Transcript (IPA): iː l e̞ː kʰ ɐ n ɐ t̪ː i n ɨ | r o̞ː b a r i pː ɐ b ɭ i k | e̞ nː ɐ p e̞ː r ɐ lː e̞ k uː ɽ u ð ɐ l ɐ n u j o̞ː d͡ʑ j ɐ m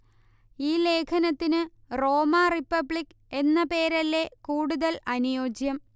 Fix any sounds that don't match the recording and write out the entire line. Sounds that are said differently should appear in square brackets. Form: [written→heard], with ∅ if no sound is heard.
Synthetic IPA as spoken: iː l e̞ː kʰ ɐ n ɐ t̪ː i n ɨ | r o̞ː [b→m] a r i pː ɐ b ɭ i k | e̞ nː ɐ p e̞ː [r→ɾ] ɐ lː e̞ k uː ɽ u ð ɐ l ɐ n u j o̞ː d͡ʑ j ɐ m